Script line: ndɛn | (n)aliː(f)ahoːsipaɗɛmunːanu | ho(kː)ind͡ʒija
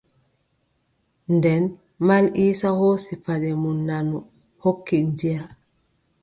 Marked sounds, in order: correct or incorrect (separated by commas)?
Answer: incorrect, incorrect, correct